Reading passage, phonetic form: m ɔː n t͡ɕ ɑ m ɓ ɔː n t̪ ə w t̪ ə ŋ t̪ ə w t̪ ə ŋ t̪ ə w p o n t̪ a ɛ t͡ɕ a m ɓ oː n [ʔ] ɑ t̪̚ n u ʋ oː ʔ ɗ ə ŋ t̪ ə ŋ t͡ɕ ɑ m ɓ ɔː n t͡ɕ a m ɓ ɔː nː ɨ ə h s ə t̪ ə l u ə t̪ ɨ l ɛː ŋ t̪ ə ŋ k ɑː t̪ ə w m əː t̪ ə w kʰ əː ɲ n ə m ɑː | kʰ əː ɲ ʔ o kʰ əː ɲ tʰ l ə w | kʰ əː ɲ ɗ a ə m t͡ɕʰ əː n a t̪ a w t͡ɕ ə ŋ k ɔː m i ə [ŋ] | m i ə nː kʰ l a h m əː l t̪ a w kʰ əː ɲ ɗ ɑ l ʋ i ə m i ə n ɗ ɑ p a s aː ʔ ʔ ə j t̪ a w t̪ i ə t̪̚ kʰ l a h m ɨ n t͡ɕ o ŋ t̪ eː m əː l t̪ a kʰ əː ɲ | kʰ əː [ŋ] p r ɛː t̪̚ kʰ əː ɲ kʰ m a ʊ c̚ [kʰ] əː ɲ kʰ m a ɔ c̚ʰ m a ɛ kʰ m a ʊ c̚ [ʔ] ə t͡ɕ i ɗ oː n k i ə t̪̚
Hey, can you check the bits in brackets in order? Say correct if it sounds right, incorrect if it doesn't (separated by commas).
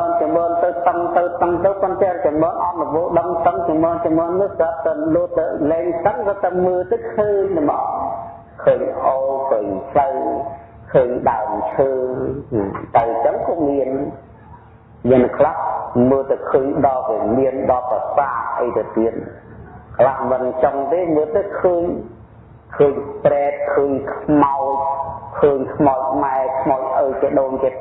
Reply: correct, incorrect, incorrect, correct, correct